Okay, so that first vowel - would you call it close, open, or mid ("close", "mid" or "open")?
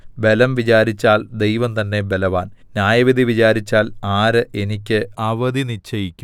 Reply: mid